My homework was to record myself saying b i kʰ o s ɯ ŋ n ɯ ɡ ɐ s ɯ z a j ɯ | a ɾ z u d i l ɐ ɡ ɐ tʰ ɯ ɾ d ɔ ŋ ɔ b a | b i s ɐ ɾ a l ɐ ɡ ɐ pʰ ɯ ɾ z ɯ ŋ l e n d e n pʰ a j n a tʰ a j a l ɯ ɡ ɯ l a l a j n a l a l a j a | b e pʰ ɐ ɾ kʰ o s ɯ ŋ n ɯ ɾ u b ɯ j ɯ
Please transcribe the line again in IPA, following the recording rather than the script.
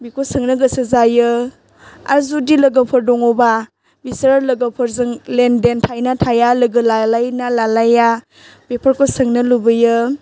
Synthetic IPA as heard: b i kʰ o s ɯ ŋ n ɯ ɡ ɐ s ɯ z a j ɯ | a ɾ z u d i l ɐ ɡ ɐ pʰ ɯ ɾ d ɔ ŋ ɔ b a | b i s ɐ ɾ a l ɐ ɡ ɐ pʰ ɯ ɾ z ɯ ŋ l e n d e n tʰ a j n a tʰ a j a l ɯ ɡ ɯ l a l a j n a l a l a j a | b e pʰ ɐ ɾ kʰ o s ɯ ŋ n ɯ l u b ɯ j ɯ